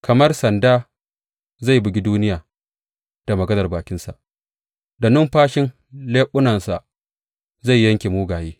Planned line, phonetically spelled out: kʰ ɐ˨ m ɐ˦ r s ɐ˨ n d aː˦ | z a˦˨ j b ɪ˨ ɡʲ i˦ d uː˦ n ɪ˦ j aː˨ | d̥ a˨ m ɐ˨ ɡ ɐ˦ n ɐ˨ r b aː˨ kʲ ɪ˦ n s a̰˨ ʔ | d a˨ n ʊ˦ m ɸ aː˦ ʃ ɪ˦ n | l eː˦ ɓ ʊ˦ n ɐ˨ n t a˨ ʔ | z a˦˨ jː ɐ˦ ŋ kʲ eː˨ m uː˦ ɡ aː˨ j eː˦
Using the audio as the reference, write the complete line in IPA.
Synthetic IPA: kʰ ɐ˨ m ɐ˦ r s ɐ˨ n d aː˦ | z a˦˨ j b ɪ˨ ɡʲ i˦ d uː˦ n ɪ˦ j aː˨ | d̥ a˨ m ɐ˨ ɡ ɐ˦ n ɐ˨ r b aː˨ kʲ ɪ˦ n s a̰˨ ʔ | d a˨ n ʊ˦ m ɸ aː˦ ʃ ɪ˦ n | l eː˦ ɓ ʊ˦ n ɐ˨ n s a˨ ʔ | z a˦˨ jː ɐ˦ ŋ kʲ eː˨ m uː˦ ɡ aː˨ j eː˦